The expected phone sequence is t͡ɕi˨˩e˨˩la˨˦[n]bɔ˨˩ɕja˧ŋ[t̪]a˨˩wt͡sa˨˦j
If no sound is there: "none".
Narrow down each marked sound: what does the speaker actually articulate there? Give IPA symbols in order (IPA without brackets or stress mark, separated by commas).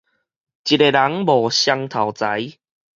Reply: ŋ, t̪ʰ